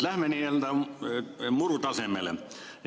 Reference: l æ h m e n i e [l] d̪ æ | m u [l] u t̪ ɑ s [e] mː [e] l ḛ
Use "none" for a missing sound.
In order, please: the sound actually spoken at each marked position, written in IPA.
l, r, e, e

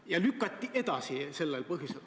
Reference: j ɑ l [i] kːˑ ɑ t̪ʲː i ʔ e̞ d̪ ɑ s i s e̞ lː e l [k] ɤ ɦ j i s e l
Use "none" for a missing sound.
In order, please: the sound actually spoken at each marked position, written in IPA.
y, p

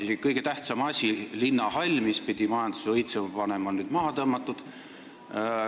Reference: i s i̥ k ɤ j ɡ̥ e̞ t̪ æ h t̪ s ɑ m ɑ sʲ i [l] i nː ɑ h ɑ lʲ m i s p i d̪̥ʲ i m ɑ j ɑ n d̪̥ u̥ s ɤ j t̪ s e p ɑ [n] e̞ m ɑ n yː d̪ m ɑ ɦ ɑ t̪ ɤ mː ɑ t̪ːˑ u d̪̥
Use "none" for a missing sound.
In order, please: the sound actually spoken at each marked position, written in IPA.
l, n

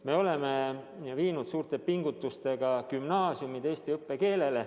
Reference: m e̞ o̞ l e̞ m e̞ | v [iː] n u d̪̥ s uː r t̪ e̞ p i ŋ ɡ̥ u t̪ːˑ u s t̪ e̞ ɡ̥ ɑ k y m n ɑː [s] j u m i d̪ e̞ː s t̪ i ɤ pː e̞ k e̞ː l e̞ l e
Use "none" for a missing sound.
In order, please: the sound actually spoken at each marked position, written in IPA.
iː, s

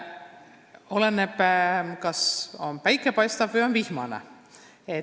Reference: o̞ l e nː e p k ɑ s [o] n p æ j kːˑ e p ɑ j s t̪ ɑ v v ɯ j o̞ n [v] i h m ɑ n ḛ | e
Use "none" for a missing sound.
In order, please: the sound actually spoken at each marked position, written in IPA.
o, v

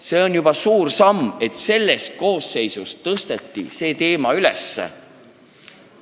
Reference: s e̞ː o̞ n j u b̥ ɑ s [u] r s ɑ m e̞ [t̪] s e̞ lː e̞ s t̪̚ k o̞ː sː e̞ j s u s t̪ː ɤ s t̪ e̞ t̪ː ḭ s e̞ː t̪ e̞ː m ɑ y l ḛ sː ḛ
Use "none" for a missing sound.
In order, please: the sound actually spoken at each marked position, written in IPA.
uː, t̪

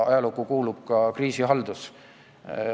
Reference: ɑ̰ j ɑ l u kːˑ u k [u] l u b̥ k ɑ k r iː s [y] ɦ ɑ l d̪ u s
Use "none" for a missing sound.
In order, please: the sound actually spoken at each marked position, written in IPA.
uː, i

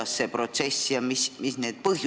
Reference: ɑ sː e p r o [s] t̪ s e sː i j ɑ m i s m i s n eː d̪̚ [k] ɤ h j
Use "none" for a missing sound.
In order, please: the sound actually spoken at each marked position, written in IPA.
none, p

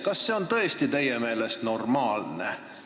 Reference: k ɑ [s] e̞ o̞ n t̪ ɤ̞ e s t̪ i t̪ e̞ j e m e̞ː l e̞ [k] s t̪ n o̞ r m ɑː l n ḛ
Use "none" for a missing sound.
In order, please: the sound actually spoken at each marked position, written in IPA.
sː, none

